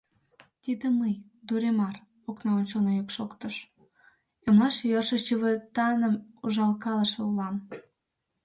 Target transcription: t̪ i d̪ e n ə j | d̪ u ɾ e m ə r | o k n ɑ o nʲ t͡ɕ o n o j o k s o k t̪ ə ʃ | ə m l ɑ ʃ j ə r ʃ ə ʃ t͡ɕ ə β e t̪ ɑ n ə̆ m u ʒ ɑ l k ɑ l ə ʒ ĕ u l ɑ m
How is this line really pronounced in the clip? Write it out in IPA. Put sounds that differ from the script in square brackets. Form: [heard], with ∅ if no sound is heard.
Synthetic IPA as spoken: t̪ i d̪ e [m] ə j | d̪ u ɾ e m [ɑ] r | o k n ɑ o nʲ t͡ɕ o n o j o k [ʃ] o k t̪ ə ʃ | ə m l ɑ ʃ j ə r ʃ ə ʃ t͡ɕ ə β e t̪ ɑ n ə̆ m u ʒ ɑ l k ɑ l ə [ʃ] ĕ u l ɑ m